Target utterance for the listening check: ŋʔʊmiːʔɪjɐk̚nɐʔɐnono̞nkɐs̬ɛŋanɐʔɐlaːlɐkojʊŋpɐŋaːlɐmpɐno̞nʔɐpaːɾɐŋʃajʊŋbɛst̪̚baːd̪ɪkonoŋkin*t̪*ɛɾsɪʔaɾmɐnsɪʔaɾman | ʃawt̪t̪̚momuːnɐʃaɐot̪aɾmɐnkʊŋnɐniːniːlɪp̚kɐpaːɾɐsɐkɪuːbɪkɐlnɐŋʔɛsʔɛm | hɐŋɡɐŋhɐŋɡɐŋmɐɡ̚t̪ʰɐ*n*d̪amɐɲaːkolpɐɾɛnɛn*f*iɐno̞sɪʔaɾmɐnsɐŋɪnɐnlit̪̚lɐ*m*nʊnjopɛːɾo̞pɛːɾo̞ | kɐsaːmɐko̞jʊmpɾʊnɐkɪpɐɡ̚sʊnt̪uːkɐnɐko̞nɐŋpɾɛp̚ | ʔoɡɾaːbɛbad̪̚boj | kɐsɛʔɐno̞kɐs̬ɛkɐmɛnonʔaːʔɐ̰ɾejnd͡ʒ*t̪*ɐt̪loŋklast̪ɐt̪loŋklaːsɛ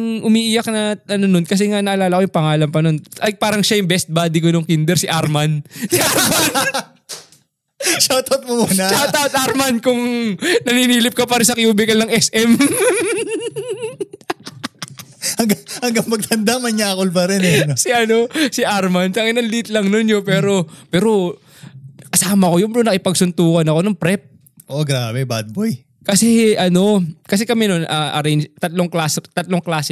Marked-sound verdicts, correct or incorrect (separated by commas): incorrect, correct, incorrect, incorrect, correct